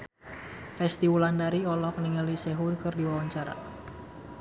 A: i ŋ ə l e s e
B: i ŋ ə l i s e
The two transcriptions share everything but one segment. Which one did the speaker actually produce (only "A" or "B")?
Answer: B